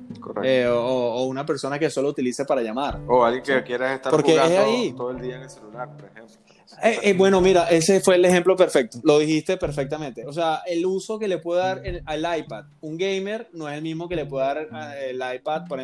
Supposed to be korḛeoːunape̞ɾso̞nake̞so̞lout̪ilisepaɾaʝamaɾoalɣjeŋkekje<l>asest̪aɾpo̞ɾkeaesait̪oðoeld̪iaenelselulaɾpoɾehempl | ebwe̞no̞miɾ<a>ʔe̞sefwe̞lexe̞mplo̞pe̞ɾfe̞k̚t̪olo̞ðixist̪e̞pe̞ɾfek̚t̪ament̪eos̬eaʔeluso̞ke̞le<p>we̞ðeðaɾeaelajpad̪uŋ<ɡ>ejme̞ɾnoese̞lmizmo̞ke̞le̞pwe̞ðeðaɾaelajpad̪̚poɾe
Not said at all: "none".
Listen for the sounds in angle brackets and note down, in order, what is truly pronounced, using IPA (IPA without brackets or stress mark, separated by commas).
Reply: ɾ, a, p, ɡ